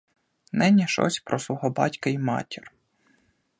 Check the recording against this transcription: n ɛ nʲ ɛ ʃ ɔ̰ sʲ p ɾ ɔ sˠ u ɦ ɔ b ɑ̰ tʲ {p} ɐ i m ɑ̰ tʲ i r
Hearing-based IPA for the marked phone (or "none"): k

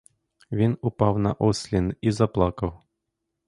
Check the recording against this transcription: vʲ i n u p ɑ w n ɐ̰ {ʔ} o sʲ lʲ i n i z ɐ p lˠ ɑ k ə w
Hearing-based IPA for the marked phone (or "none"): ʔ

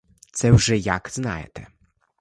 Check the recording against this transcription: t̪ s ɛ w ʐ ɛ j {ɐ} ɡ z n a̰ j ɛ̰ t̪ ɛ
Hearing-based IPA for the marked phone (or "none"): a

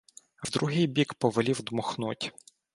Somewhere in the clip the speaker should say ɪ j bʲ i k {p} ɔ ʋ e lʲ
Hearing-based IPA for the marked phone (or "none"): p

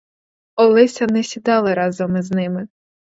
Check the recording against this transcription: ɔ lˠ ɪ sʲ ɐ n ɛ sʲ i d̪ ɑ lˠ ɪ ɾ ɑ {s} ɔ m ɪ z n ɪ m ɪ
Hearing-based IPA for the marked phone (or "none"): z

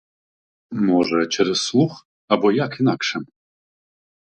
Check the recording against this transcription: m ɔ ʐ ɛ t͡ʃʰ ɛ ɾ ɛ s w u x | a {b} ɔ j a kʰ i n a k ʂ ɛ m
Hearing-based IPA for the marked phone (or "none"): b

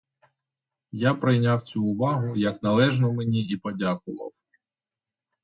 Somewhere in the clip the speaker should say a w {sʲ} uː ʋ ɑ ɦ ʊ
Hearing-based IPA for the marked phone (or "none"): t͡sʲ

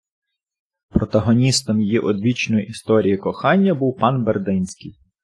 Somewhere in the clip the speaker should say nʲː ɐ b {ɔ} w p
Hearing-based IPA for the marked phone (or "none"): u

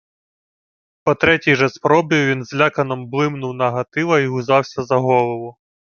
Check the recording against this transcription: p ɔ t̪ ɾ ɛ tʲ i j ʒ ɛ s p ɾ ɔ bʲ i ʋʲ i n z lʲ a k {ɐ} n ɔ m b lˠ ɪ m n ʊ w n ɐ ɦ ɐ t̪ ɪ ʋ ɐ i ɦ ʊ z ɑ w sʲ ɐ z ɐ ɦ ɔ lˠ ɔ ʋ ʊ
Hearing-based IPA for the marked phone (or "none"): ɐ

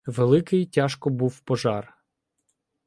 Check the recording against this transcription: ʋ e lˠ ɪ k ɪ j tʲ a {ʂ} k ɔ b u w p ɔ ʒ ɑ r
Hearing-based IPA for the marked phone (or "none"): ʃ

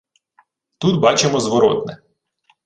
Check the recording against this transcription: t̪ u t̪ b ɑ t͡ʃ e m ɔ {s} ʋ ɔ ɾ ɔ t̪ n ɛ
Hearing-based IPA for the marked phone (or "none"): z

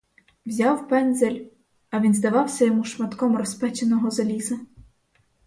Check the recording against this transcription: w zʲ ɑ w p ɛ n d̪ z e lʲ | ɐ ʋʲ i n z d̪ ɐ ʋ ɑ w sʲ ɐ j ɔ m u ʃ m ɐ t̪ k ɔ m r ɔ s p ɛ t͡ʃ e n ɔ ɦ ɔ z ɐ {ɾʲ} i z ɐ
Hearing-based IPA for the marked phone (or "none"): lʲ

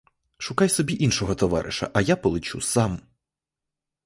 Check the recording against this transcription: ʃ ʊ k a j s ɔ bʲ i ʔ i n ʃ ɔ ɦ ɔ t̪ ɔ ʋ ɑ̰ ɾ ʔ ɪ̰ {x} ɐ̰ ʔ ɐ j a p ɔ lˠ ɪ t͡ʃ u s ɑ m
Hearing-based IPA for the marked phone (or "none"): ʃ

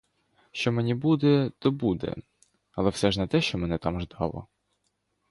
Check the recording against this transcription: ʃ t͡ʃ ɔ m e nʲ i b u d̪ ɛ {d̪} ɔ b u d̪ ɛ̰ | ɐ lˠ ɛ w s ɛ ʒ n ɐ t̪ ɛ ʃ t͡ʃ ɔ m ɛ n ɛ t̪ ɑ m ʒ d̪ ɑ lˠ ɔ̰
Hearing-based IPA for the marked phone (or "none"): t̪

